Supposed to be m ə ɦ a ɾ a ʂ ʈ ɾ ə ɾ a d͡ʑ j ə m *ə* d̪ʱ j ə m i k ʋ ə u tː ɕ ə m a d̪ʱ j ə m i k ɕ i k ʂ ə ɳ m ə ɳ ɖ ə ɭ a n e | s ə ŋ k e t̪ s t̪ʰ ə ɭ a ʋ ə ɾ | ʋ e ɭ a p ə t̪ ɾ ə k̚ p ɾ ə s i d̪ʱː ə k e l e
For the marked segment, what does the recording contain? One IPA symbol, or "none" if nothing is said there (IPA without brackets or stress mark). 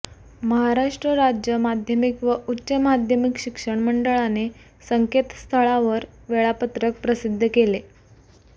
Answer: a